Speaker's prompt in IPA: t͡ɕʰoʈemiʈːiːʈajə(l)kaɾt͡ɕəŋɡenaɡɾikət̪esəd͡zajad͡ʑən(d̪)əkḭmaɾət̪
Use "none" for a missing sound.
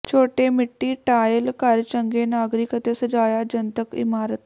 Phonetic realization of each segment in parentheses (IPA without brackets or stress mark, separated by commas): l, t̪